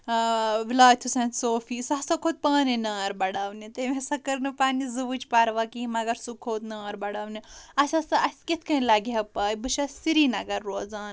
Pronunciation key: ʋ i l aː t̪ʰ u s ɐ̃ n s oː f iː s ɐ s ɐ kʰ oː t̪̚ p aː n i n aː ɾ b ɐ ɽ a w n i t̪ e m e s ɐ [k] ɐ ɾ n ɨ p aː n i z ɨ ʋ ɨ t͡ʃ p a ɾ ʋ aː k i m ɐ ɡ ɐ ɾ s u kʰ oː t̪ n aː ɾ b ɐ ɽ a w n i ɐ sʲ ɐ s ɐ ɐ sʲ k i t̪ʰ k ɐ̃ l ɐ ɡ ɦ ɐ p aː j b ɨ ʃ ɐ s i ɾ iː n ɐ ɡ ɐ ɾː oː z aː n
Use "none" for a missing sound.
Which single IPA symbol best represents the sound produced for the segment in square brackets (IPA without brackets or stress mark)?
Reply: k